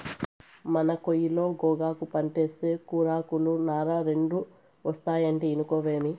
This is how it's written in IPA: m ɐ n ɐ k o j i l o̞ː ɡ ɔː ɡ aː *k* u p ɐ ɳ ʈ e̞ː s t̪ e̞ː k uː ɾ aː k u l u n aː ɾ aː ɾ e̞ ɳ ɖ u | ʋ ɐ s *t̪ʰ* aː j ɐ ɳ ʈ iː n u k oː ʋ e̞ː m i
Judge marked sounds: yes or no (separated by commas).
yes, no